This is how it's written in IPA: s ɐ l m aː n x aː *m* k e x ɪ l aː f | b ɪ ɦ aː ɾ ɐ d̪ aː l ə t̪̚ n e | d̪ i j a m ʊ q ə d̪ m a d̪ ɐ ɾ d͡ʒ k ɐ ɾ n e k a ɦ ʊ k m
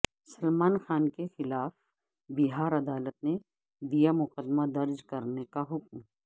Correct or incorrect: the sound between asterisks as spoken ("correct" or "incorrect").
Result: incorrect